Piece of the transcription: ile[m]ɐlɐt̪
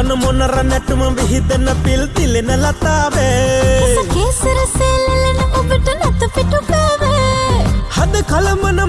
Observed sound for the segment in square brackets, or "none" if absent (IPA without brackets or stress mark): n